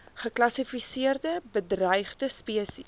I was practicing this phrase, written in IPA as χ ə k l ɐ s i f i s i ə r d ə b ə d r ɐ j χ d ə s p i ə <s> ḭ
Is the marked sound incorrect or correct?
correct